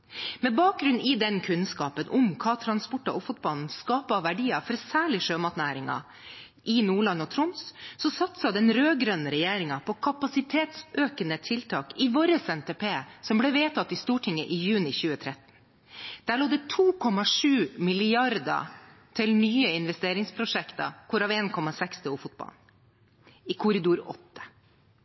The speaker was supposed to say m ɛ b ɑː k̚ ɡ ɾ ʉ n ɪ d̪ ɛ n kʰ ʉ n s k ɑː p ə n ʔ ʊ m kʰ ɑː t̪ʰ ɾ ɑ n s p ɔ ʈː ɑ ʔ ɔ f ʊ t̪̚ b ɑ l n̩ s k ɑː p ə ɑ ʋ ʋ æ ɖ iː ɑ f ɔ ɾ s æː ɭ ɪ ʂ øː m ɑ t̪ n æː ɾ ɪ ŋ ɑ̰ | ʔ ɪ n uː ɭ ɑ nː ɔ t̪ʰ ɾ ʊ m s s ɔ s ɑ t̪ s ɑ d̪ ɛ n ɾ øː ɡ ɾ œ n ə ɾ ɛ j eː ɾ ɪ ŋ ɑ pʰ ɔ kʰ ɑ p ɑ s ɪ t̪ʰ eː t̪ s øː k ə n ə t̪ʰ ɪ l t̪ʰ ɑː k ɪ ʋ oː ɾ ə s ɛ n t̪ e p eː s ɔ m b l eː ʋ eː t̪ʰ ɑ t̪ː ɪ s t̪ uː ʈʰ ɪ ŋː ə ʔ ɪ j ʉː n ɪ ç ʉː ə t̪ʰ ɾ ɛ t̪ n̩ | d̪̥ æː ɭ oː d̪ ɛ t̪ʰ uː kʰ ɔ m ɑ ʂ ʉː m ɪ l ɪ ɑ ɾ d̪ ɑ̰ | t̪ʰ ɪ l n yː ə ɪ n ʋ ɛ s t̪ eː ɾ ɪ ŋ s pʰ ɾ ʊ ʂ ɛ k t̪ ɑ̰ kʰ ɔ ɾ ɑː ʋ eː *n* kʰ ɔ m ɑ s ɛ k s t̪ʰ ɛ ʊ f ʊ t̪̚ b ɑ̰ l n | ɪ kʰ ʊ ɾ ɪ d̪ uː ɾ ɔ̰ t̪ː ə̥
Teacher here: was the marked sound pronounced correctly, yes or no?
yes